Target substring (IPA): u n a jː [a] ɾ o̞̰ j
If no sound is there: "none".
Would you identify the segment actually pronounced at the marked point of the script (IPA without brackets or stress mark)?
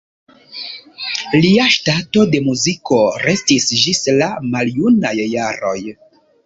a